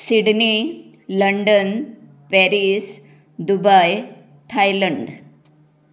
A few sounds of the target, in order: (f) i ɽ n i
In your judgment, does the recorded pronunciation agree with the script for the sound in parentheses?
no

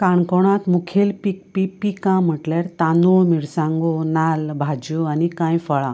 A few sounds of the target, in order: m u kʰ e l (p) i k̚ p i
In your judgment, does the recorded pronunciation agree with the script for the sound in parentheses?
yes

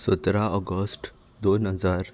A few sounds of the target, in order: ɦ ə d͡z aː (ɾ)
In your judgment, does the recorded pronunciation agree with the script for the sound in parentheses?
yes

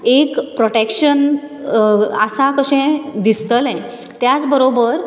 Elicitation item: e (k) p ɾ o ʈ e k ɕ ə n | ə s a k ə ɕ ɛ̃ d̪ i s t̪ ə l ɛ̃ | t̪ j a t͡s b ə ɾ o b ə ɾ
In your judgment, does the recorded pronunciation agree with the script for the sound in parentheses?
yes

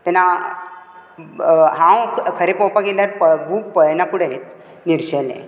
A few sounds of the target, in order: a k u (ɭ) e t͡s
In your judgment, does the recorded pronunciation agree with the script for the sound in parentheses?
no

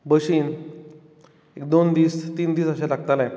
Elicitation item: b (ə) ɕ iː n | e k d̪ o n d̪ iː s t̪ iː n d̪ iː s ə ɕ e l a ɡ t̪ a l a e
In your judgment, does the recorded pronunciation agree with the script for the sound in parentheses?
yes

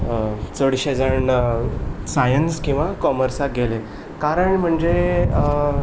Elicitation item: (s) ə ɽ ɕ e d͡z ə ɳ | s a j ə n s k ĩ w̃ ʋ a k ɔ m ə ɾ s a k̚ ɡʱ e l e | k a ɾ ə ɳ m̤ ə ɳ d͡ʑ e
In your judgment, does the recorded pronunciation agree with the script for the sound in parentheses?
no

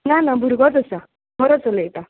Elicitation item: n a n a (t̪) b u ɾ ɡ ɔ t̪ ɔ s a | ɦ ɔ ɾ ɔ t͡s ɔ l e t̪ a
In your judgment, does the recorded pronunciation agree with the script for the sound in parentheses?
no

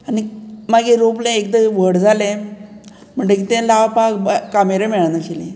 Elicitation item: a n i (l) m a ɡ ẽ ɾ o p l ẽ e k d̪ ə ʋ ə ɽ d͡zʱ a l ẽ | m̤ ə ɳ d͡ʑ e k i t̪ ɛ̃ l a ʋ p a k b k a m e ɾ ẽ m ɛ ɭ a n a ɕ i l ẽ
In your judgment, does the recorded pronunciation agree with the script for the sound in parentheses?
no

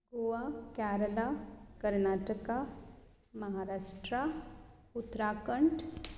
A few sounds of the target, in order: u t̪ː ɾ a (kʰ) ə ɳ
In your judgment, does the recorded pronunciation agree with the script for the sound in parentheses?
no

